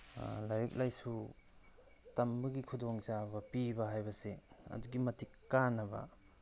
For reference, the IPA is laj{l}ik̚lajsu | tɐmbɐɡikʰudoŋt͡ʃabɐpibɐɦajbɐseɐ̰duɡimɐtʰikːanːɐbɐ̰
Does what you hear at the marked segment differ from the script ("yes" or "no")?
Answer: yes